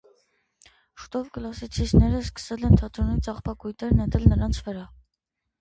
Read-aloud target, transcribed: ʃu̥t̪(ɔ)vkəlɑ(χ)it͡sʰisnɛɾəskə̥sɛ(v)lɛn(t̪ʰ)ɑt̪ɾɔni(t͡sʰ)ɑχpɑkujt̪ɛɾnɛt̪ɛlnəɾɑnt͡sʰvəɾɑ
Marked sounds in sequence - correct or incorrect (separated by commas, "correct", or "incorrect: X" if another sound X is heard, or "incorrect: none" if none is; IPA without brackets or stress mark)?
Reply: correct, incorrect: s, incorrect: none, correct, incorrect: t͡s